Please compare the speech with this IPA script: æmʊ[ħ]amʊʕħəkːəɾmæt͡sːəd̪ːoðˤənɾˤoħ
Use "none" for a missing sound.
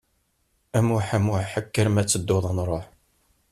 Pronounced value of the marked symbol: ħ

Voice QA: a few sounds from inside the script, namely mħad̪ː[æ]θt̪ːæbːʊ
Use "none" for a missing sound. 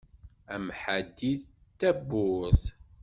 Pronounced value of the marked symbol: i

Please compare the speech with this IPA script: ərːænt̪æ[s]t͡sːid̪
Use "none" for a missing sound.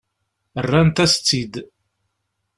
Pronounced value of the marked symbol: s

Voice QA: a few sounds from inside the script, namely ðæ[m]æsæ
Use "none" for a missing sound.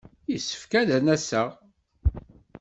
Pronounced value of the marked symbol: n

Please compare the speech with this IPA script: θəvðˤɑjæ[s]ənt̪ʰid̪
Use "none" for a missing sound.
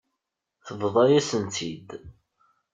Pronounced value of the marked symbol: s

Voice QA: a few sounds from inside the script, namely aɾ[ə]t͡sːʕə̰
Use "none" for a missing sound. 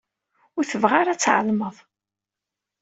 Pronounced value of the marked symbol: a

